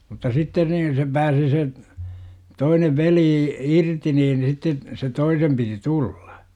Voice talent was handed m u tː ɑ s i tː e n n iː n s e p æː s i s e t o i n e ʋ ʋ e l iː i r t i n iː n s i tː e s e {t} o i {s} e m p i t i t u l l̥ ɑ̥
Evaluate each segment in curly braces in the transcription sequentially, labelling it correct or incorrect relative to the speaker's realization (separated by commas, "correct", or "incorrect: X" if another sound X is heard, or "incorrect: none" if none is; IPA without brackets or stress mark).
correct, correct